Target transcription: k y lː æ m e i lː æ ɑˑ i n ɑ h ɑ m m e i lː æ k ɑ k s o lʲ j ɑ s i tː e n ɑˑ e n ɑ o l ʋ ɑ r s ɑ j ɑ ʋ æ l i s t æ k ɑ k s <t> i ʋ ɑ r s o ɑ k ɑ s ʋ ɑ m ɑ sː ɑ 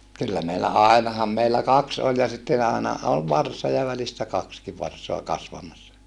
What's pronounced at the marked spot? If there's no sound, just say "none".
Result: k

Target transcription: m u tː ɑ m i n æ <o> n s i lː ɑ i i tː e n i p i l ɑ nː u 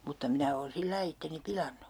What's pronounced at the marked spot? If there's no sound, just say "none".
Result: oː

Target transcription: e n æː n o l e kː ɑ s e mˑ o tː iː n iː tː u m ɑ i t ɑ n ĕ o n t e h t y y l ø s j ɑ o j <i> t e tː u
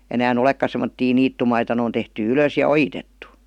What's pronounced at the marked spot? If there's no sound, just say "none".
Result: i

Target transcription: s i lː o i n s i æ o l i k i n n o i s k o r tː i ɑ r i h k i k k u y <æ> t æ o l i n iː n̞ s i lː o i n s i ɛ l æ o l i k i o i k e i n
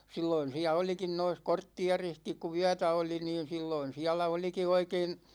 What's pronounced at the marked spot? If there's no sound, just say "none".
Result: æ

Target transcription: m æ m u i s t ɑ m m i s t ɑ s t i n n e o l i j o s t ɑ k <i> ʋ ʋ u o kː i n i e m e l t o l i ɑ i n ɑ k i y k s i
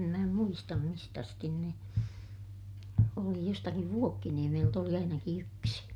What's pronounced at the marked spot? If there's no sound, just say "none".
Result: i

